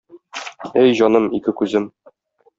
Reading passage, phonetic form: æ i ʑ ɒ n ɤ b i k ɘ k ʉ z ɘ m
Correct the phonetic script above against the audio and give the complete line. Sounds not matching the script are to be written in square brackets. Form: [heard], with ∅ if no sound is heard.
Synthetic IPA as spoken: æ [j] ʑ ɒ n ɤ [m] i k ɘ k ʉ z ɘ m